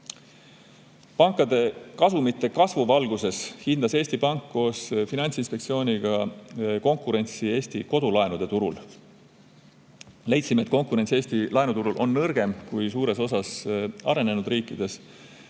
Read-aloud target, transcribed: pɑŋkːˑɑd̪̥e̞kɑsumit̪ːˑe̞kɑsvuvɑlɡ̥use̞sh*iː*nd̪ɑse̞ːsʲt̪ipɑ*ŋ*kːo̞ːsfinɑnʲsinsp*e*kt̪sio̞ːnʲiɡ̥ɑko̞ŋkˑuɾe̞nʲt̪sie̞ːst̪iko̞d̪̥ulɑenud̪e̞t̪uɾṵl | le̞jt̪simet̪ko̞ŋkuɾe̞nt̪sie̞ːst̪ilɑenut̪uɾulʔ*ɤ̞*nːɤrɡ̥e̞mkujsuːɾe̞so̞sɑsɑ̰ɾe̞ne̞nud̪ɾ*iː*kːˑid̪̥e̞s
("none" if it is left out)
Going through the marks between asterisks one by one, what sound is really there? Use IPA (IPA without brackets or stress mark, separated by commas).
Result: i, ŋ, e, o̞, iː